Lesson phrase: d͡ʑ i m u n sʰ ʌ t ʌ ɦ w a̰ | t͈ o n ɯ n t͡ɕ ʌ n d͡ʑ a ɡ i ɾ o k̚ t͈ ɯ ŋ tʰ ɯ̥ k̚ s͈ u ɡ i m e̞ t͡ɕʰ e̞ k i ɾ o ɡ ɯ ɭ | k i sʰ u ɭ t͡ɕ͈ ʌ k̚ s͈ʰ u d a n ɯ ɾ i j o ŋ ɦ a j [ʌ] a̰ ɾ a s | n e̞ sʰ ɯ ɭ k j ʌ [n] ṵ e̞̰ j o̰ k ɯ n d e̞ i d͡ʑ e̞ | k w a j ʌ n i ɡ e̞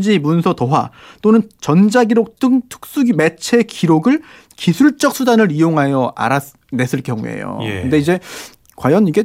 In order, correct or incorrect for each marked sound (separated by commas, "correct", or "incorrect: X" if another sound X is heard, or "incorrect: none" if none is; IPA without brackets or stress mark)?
correct, incorrect: ŋ